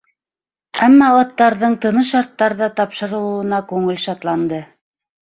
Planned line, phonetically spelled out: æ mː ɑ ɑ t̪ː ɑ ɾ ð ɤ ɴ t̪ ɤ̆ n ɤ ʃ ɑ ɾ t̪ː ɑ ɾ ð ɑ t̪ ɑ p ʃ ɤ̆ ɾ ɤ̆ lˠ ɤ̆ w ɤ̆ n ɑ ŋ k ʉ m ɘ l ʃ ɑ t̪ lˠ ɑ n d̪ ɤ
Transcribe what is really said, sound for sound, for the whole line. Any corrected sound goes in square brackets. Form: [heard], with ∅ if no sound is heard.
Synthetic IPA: æ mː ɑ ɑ t̪ː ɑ ɾ ð ɤ ɴ t̪ ɤ̆ n ɤ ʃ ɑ ɾ t̪ː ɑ ɾ ð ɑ t̪ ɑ p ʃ ɤ̆ ɾ ɤ̆ lˠ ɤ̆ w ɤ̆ n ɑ [∅] k ʉ [ŋ] ɘ l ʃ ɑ t̪ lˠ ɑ n d̪ ɤ